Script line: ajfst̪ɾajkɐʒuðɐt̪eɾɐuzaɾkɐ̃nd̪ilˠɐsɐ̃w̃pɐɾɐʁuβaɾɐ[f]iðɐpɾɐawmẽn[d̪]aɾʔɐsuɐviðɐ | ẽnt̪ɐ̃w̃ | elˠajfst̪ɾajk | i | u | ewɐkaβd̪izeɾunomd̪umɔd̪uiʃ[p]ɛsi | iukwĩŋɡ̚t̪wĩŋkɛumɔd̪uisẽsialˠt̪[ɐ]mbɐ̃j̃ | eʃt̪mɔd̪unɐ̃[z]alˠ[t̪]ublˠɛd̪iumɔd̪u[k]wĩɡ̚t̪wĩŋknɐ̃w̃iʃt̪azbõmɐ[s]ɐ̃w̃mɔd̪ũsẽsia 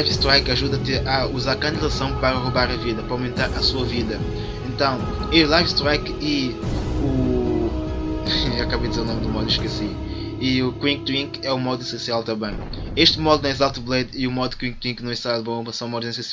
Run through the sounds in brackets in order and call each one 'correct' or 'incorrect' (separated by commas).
incorrect, incorrect, incorrect, incorrect, correct, correct, correct, correct